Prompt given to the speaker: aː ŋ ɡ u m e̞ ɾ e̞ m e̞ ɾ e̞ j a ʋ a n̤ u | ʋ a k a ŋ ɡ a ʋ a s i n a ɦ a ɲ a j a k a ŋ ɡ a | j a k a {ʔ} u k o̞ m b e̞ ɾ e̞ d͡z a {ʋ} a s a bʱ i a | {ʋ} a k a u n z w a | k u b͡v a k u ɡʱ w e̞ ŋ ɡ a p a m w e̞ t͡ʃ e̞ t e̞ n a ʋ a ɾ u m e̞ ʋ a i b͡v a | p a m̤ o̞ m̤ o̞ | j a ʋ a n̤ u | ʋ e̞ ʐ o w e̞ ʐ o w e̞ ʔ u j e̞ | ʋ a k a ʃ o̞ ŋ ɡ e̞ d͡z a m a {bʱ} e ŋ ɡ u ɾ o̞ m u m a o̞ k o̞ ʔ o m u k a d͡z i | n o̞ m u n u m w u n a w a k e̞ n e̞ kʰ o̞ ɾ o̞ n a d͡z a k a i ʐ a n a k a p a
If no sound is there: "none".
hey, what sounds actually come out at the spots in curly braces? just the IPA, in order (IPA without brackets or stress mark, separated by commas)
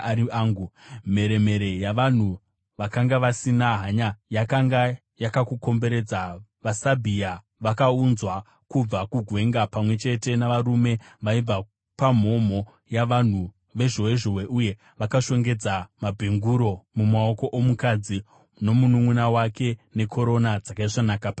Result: k, ʋ, ʋ, bʱ